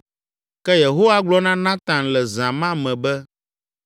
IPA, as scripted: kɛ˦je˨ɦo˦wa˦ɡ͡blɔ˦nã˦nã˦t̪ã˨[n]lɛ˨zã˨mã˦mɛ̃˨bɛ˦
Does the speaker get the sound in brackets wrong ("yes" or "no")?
no